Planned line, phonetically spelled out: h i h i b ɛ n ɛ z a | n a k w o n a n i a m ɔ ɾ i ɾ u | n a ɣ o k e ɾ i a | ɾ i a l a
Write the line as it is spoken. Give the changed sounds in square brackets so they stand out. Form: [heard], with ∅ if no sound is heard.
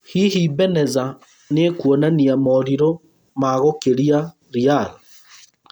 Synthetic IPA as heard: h i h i b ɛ n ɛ z a | n [e] k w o n a n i a m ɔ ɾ i ɾ [o] | [m] a ɣ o k e ɾ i a | ɾ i a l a